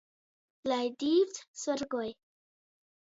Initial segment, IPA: l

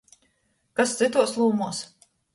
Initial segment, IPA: k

